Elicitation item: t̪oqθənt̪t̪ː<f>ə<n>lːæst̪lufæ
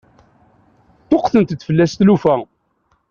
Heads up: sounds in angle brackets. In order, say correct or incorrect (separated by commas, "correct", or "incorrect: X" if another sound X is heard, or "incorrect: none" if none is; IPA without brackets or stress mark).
correct, incorrect: none